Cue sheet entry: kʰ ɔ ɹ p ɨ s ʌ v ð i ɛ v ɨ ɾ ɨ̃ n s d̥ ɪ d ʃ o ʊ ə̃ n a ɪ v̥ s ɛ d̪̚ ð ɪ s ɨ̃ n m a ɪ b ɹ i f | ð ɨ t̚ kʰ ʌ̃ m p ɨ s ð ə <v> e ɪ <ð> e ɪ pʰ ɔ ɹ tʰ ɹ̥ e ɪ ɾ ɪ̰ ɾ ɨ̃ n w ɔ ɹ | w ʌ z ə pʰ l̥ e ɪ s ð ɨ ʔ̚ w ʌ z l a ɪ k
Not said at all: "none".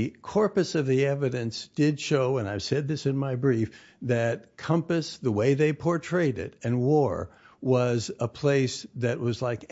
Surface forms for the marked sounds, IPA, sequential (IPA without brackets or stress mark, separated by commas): w, ð